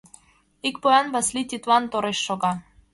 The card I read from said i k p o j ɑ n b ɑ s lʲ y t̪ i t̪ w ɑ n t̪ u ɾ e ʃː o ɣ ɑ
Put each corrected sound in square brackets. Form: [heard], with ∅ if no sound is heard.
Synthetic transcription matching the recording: i k p o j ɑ n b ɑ s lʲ [i] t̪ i t̪ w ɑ n t̪ [o] ɾ e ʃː o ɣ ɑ